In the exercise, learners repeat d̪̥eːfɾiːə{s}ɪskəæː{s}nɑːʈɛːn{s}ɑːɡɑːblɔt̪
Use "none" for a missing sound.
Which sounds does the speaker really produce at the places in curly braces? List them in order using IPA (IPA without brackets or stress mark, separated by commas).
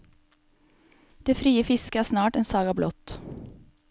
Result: f, s, s